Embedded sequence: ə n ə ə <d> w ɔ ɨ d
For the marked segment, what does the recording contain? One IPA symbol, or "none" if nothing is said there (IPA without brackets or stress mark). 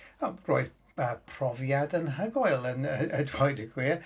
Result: d